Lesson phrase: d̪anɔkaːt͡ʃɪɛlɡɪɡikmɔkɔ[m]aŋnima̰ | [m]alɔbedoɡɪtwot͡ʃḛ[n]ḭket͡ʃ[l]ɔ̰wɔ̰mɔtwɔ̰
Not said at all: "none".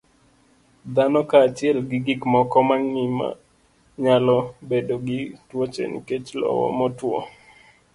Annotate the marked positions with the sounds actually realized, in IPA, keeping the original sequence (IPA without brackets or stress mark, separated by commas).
m, ɲ, n, l